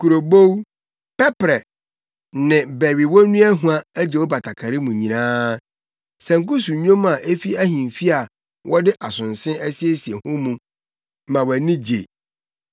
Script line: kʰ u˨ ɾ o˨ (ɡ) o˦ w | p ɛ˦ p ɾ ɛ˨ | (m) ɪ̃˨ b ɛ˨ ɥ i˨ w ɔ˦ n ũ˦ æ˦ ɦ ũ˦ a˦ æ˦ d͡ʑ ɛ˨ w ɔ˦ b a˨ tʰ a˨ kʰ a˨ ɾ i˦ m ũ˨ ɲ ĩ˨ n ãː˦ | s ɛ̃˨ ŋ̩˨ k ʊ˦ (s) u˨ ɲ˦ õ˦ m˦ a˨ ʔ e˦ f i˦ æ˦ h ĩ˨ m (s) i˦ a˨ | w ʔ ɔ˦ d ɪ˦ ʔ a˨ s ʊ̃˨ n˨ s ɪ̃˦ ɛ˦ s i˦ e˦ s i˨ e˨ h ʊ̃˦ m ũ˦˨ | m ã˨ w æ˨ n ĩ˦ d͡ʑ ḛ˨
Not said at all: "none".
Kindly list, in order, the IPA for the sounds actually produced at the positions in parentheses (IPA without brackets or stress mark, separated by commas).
b, n, s, f